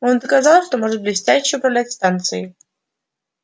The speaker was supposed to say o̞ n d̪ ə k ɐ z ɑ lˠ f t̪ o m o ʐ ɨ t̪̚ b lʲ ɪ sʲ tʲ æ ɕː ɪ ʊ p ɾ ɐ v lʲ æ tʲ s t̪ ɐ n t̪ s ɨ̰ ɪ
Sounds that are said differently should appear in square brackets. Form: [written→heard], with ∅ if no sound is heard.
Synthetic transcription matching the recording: o̞ n d̪ ə k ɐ z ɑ lˠ [f→ʂ] t̪ o m o ʐ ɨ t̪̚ b lʲ ɪ sʲ tʲ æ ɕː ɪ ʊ p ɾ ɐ v lʲ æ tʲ s t̪ [ɐ→a] n t̪ s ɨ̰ ɪ